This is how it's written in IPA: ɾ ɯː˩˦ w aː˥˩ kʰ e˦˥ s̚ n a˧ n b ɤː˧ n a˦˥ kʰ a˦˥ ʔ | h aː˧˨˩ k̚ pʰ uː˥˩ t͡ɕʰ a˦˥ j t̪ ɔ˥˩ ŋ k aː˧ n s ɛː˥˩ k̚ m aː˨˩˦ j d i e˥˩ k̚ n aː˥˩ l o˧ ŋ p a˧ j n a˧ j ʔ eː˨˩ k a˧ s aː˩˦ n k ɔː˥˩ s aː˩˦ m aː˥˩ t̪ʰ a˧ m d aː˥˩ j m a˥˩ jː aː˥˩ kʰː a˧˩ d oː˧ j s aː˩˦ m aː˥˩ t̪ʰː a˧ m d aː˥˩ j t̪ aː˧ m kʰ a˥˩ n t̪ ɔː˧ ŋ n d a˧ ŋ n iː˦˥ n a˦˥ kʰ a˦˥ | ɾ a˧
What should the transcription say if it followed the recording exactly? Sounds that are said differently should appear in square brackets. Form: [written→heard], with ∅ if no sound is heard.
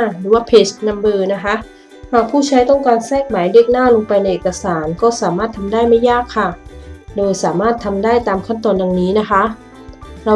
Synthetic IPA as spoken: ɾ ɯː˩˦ w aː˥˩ [kʰ→pʰ] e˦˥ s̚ n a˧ [n→m] b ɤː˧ n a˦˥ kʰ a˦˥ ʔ | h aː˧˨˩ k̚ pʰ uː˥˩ t͡ɕʰ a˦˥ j t̪ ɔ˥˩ ŋ k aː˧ n s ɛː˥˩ k̚ m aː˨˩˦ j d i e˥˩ k̚ n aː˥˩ l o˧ ŋ p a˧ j n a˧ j ʔ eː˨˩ k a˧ s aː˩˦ n k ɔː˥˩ s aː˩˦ m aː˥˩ t̪ʰ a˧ m d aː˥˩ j m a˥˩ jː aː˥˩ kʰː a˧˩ d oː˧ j s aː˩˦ m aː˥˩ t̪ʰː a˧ m d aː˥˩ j t̪ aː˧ m kʰ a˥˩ n t̪ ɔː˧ [ŋ→∅] n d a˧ ŋ n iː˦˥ n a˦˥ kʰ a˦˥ | ɾ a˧